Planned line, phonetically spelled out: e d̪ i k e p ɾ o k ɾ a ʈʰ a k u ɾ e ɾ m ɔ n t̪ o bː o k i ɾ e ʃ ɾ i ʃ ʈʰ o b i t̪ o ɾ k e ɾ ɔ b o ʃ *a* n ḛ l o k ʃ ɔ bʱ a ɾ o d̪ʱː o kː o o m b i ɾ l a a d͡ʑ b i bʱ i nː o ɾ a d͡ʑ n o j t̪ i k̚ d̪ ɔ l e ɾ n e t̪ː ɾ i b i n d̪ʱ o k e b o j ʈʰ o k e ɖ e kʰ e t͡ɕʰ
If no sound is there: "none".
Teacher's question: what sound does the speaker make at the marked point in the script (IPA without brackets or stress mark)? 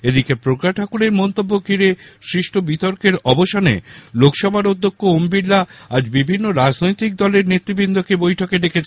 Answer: a